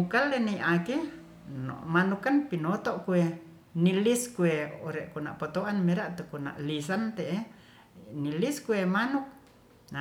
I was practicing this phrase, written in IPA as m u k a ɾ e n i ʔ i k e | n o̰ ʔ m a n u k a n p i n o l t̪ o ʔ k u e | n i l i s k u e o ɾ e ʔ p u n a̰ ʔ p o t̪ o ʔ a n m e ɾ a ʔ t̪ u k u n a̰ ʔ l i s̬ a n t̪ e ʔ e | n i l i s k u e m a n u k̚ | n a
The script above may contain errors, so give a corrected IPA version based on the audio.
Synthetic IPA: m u k a l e n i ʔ a k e | n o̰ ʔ m a n u k a n p i n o t̪ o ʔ k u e | n i l i s k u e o ɾ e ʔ k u n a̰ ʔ p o t̪ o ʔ a n m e ɾ a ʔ t̪ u k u n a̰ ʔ l i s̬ a n t̪ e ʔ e | n i l i s k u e m a n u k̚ | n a